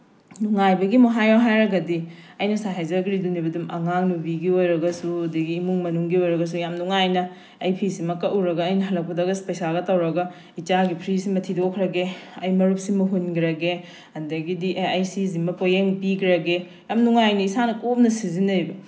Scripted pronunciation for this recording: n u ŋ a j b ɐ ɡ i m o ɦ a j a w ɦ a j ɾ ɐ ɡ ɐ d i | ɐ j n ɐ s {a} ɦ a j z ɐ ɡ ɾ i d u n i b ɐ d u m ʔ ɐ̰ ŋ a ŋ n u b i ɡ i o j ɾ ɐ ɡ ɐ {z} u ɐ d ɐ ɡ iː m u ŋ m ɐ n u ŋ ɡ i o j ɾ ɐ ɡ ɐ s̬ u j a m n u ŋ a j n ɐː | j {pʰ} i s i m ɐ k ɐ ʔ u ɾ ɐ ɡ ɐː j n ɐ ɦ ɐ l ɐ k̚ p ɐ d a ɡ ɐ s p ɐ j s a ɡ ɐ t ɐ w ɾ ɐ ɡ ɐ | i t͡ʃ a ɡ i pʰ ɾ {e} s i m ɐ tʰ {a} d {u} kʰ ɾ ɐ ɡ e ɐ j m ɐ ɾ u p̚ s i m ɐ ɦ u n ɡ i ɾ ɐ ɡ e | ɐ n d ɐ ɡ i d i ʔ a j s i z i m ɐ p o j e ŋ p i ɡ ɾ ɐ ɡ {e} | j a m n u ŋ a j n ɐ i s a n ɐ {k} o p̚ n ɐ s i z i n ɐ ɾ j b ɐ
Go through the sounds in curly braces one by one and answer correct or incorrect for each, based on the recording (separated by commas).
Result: correct, incorrect, correct, incorrect, incorrect, incorrect, correct, correct